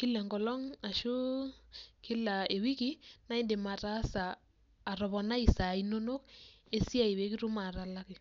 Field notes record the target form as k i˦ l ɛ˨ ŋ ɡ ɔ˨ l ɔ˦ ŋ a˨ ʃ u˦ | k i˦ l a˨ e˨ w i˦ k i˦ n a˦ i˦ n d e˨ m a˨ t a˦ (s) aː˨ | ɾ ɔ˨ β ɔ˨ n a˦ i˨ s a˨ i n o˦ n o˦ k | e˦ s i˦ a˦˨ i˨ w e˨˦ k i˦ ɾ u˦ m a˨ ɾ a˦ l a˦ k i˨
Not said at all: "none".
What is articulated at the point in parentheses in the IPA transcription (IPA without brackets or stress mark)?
s